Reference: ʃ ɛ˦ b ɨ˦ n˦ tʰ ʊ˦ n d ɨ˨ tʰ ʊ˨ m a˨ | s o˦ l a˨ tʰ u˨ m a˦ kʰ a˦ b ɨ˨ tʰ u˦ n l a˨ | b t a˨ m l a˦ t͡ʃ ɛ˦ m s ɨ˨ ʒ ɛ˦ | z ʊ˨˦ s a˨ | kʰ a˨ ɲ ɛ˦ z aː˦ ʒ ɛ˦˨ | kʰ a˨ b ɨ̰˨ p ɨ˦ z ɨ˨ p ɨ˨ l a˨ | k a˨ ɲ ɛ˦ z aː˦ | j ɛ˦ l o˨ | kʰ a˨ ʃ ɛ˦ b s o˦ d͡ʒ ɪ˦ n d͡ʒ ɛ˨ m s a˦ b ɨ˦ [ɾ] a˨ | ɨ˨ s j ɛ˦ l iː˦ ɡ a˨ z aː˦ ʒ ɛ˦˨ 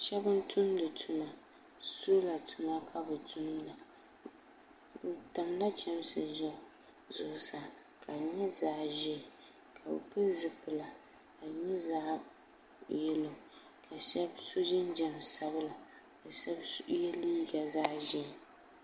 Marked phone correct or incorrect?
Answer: incorrect: l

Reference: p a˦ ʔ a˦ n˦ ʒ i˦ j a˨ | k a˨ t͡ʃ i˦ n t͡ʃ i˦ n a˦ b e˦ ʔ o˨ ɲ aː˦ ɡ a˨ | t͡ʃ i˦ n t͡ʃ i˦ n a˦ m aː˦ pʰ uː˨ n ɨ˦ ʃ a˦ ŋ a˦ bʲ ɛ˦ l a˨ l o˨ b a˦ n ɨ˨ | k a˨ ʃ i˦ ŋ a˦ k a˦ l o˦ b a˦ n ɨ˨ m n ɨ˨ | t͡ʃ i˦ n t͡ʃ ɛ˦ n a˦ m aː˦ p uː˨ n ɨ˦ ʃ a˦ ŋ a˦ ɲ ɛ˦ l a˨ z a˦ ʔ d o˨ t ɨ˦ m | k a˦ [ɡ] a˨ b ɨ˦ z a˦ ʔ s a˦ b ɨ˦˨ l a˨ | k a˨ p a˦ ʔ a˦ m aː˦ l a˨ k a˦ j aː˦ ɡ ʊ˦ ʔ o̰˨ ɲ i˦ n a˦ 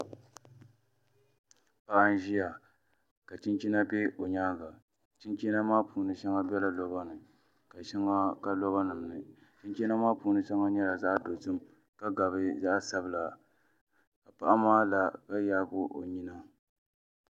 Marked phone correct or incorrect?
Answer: correct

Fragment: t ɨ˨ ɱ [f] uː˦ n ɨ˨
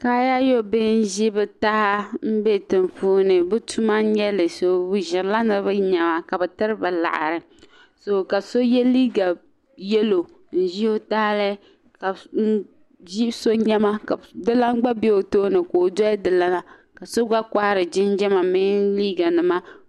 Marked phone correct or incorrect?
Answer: correct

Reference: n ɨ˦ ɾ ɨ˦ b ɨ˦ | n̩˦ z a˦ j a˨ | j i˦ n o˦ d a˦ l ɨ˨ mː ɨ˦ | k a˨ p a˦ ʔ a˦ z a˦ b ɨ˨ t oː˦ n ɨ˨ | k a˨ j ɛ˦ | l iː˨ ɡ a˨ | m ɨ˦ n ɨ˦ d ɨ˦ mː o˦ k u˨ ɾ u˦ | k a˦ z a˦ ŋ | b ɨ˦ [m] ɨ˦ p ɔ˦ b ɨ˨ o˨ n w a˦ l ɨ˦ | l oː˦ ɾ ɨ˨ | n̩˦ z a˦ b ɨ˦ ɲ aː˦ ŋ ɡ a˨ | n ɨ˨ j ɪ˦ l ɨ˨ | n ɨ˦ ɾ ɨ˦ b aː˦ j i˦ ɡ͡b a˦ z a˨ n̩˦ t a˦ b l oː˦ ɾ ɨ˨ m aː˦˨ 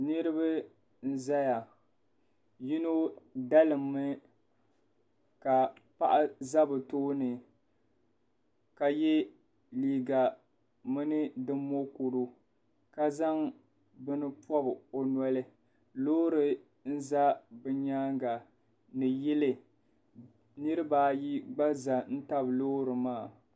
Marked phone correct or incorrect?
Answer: incorrect: n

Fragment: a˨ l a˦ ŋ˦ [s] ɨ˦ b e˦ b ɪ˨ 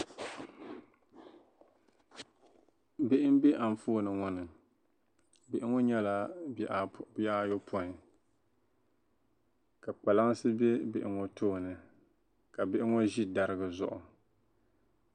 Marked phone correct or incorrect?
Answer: correct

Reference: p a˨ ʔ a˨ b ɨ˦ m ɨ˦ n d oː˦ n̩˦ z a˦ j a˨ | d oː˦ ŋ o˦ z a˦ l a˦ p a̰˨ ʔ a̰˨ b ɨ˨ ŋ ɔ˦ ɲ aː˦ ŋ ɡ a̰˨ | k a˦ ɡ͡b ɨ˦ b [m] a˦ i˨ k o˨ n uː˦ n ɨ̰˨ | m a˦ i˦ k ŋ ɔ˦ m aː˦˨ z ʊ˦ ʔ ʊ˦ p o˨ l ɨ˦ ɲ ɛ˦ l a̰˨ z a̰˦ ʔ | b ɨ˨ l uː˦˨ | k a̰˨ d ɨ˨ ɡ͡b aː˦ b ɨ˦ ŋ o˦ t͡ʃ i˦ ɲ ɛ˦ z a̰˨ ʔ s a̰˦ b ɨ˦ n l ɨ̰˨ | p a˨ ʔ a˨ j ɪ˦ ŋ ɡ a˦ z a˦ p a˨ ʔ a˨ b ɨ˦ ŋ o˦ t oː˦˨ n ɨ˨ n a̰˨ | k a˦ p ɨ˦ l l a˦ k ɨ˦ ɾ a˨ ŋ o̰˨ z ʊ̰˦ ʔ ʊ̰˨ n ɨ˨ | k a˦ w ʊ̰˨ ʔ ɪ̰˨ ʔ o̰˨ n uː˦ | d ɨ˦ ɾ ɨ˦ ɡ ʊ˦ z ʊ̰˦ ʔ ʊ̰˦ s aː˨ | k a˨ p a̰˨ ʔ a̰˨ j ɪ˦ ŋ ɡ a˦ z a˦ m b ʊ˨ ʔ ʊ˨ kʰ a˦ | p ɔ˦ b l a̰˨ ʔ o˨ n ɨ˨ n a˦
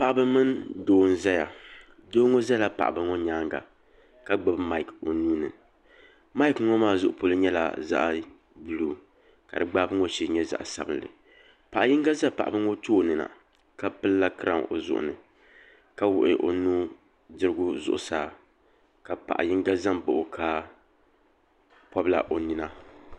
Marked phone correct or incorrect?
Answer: correct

